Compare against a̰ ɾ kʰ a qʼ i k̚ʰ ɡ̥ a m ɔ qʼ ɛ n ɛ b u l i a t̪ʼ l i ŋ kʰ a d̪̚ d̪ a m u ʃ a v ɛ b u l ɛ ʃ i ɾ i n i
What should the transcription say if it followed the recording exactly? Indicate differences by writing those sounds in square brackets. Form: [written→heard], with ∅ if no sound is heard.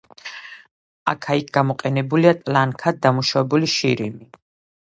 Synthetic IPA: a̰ [ɾ→∅] kʰ a [qʼ→∅] i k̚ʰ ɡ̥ a m ɔ qʼ ɛ n ɛ b u l i a t̪ʼ l [i→a] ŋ kʰ a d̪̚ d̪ a m u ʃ a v ɛ b u l [ɛ→i] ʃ i ɾ i [n→m] i